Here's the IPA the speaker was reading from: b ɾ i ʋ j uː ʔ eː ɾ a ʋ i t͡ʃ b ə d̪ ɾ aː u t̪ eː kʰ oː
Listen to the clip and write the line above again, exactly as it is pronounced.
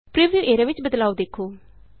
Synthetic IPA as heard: p ɾ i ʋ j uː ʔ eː ɾ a ʋ ɪ t͡ʃ b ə d̪ l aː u d̪ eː kʰ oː